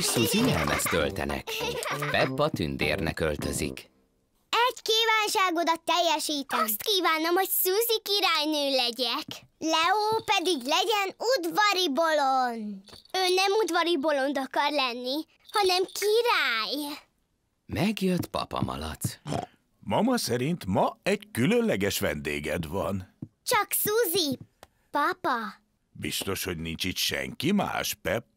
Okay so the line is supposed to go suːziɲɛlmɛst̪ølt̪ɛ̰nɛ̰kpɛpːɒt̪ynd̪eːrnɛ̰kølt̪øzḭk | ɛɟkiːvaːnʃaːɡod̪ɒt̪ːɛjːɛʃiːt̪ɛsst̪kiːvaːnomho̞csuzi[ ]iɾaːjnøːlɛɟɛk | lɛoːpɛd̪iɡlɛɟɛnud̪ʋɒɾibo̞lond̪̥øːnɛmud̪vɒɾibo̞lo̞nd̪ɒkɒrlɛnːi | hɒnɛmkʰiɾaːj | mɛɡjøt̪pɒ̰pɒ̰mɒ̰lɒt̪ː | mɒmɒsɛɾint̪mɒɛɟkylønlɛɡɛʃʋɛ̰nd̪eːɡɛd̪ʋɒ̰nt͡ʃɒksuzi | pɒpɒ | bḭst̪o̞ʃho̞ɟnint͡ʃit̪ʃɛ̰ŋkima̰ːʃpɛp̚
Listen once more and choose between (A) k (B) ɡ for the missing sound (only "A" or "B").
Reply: A